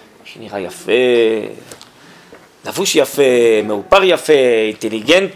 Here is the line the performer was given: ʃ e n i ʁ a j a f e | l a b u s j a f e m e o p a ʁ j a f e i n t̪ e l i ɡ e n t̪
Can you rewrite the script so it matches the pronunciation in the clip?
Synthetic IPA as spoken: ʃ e n i ʁ a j a f e | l a v u ʃ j a f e m e u p a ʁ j a f e i n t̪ e l i ɡ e n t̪